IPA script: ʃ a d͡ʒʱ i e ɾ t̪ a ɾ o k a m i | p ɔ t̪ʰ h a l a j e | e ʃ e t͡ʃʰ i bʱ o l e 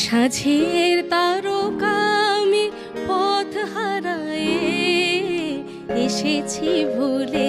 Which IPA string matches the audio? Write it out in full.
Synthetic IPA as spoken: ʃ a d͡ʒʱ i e ɾ t̪ a ɾ o k a m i | p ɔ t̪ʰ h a ɾ a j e | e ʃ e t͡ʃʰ i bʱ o l e